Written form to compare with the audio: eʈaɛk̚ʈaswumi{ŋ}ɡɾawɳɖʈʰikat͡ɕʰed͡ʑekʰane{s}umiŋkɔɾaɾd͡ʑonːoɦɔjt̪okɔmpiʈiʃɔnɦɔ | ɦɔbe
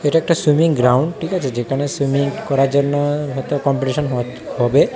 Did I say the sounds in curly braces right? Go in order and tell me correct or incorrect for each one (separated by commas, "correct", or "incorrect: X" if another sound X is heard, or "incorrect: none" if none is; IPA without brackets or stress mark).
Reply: correct, correct